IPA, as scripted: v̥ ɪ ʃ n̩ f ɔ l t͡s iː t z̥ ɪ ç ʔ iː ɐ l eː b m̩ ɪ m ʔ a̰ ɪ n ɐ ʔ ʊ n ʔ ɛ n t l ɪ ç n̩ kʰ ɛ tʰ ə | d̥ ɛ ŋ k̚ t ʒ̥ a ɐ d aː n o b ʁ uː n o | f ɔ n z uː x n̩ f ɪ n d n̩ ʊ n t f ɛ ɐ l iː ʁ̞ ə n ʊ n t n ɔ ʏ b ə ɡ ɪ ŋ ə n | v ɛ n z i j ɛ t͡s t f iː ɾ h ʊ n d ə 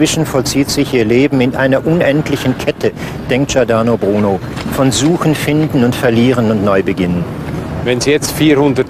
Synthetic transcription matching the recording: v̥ ɪ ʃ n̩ f ɔ l t͡s iː t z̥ ɪ ç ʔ iː ɐ l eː b m̩ ɪ n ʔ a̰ ɪ n ɐ ʔ ʊ n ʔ ɛ n t l ɪ ç n̩ kʰ ɛ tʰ ə | d̥ ɛ ŋ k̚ t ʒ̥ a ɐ d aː n o b ʁ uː n o | f ɔ n z uː x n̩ f ɪ n d n̩ ʊ n t f ɛ ɐ l iː ʁ̞ ə n ʊ n t n ɔ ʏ b ə ɡ ɪ n ə n | v ɛ n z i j ɛ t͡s t f iː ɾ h ʊ n d ə

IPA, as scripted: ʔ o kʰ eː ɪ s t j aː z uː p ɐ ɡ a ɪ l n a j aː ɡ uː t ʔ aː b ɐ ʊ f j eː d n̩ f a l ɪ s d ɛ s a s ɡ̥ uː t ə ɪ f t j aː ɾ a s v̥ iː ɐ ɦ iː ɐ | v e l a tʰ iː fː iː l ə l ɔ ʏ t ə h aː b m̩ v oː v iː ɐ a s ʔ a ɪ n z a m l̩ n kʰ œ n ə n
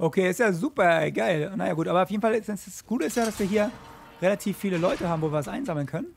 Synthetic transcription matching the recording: ʔ o kʰ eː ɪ s t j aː z uː p ɐ ɡ a ɪ l n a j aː ɡ uː t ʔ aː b ɐ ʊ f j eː d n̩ f a l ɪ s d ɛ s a s ɡ̥ uː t ə ɪ s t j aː ɾ a s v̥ iː ɐ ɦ iː ɐ | ʁ e l a tʰ iː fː iː l ə l ɔ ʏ t ə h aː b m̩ v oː v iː ɐ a s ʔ a ɪ n z a m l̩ n kʰ œ n ə n

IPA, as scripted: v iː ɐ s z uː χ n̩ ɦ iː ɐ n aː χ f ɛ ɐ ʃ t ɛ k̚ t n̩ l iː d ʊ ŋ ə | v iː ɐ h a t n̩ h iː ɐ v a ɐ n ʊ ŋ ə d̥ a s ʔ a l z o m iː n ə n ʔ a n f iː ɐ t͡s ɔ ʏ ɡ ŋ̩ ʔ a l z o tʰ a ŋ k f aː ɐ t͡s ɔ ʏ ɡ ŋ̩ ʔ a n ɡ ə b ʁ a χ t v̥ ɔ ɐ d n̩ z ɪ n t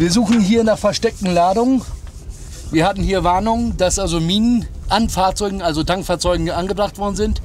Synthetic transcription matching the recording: v iː ɐ z uː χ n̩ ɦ iː ɐ n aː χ f ɛ ɐ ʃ t ɛ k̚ t n̩ l aː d ʊ ŋ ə | v iː ɐ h a t n̩ h iː ɐ v a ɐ n ʊ ŋ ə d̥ a s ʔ a l z o m iː n ə n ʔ a n f aː ɐ t͡s ɔ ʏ ɡ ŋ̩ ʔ a l z o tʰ a ŋ k f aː ɐ t͡s ɔ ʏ ɡ ŋ̩ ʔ a n ɡ ə b ʁ a χ t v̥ ɔ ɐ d n̩ z ɪ n t

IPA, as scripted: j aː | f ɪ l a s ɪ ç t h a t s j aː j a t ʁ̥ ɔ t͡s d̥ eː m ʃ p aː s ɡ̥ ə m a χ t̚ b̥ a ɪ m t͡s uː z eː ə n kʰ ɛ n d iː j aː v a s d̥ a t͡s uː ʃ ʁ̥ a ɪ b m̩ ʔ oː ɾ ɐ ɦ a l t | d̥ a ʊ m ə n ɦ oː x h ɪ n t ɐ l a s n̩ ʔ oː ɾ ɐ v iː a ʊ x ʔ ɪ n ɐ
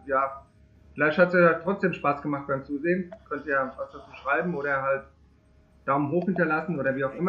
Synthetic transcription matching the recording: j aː | f ɪ l a ɪ ç t h a t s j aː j a t ʁ̥ ɔ t͡s d̥ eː m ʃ p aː s ɡ̥ ə m a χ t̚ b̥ a ɪ m t͡s uː z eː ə n kʰ œ n t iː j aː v a s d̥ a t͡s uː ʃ ʁ̥ a ɪ b m̩ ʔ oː ɾ ɐ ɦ a l t | d̥ a ʊ m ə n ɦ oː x h ɪ n t ɐ l a s n̩ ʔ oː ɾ ɐ v iː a ʊ x ʔ ɪ m ɐ

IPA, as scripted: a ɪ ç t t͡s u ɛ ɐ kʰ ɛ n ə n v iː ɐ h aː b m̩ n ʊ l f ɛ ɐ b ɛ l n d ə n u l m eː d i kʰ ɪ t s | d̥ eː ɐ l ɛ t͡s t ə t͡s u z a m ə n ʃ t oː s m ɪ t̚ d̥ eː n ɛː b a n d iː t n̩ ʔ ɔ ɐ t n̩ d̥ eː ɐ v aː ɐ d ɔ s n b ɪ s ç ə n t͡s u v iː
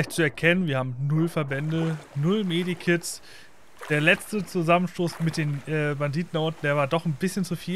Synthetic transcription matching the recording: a ɪ ç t t͡s u ɛ ɐ kʰ ɛ n ə n v iː ɐ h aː b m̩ n ʊ l f ɛ ɐ b ɛ n d ə n ʊ l m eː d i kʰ ɪ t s | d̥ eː ɐ l ɛ t͡s t ə t͡s u z a m ə n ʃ t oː s m ɪ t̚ d̥ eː n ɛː b a n d iː t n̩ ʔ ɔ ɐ t n̩ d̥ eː ɐ v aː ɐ d ɔ χ n b ɪ s ç ə n t͡s u f iː

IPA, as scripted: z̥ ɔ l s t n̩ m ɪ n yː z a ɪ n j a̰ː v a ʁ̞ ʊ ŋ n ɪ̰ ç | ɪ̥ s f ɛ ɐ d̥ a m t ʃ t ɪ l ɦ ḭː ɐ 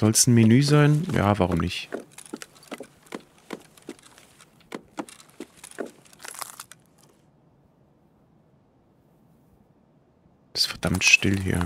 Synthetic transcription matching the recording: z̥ ɔ l s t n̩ m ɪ n yː z a ɪ n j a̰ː v a ʁ̞ ʊ m n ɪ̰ ç | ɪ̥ s f ɛ ɐ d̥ a m t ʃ t ɪ l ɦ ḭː ɐ

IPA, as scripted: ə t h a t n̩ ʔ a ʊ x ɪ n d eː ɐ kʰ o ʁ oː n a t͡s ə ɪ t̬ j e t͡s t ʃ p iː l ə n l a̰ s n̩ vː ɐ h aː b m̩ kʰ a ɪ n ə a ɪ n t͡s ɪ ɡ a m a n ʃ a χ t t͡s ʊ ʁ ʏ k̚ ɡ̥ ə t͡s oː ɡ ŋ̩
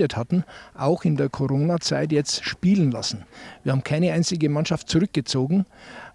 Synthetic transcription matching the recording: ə t h a t n̩ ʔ a ʊ x ɪ n d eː ɐ kʰ o ʁ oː n a t͡s a ɪ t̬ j ɛ t͡s t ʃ p iː l ə n l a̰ s n̩ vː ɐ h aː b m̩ kʰ a ɪ n ə a ɪ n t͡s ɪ ɡ ə m a n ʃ a f t t͡s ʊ ʁ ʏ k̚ ɡ̥ ə t͡s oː ɡ ŋ̩

